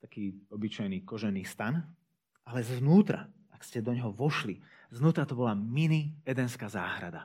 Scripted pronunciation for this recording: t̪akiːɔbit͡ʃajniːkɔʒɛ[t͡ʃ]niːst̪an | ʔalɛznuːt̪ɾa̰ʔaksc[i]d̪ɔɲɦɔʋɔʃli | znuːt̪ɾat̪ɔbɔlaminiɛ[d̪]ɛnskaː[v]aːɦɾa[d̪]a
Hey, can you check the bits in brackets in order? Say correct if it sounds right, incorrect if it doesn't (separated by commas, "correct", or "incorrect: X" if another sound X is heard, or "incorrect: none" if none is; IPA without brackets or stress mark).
incorrect: none, incorrect: ɛ, correct, incorrect: z, correct